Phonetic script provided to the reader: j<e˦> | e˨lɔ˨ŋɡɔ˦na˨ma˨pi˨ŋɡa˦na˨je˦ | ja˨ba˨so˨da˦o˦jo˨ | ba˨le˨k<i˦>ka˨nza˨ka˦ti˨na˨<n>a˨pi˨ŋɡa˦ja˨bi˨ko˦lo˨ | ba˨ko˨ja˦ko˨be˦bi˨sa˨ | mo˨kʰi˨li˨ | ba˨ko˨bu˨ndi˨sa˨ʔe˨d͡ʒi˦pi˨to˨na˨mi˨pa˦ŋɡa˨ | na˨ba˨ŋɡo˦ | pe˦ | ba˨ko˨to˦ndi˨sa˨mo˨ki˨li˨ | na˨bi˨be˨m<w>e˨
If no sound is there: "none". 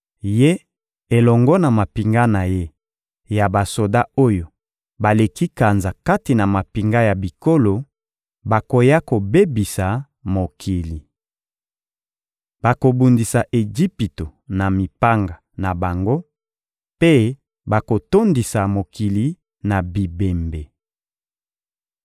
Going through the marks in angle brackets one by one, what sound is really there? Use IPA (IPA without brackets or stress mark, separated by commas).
e˦, i˦, m, b